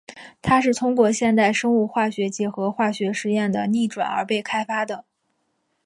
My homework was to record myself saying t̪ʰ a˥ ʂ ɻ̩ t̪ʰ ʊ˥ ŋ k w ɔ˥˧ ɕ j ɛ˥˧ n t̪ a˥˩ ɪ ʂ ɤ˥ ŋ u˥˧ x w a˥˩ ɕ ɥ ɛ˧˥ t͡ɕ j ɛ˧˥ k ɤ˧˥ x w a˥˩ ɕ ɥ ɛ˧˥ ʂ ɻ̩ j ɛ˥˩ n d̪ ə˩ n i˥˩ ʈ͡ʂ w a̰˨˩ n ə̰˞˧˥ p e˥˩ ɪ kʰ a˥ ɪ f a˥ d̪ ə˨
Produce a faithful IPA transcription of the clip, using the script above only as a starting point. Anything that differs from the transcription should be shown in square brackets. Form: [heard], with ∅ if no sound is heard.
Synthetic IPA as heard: t̪ʰ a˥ ʂ ɻ̩ t̪ʰ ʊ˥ ŋ k w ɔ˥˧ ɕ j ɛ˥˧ n t̪ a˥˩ ɪ ʂ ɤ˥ ŋ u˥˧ x w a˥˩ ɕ ɥ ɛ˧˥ t͡ɕ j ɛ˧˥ [x] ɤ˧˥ x w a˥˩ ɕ ɥ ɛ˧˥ ʂ ɻ̩ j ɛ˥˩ n d̪ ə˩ n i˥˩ ʈ͡ʂ w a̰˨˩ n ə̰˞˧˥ p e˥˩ ɪ kʰ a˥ ɪ f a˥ d̪ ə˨